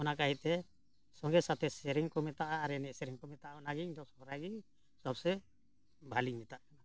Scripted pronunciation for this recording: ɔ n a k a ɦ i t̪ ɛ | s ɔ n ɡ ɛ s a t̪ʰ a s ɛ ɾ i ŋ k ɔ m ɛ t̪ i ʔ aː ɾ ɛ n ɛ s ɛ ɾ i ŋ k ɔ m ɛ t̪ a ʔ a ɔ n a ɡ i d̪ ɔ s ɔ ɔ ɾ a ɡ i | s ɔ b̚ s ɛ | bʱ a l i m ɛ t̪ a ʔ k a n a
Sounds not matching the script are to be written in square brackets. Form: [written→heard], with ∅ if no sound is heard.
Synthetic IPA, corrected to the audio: ɔ n a k a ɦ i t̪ ɛ | s ɔ [n→ŋ] ɡ ɛ s a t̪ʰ [a→ɛ] s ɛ ɾ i ŋ k ɔ m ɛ t̪ [i→a] ʔ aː ɾ ɛ n ɛ s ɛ ɾ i ŋ k ɔ m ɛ t̪ a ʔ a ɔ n a ɡ i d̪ ɔ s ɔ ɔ ɾ a ɡ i | s ɔ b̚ s ɛ | bʱ a l i m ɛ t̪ a ʔ k a n a